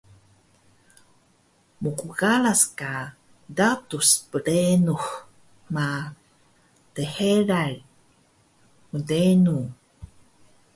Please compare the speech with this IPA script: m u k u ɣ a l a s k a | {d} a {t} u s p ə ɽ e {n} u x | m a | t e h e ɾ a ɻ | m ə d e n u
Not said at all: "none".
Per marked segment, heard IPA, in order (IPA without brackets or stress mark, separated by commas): d, t, n